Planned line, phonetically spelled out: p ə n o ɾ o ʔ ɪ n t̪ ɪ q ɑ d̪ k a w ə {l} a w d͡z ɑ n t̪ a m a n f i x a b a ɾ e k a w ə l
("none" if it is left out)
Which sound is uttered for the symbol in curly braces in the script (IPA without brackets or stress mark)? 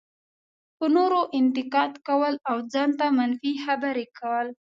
l